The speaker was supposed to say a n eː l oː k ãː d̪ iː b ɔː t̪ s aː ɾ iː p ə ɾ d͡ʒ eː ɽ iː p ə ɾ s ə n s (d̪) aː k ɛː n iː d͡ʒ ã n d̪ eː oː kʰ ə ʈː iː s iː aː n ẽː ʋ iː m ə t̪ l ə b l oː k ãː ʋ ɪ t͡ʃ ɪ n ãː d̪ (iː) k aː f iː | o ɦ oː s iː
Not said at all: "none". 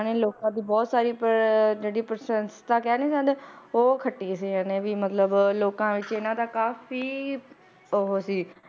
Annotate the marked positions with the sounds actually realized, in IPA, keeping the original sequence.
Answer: t̪, aː

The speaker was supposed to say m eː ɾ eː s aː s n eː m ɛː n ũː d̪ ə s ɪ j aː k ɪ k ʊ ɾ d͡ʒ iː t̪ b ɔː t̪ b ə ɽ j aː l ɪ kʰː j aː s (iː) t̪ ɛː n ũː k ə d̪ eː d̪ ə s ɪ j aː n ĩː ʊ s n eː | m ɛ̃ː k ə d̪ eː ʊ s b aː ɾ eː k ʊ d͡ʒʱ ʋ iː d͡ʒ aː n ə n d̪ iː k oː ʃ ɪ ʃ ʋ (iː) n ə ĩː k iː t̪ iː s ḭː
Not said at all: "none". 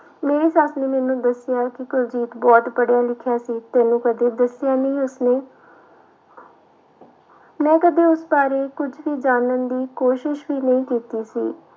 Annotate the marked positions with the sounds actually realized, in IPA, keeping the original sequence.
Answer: iː, iː

